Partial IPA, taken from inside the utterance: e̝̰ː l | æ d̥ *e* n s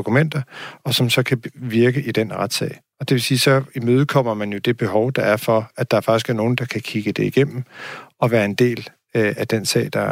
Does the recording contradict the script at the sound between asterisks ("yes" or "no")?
no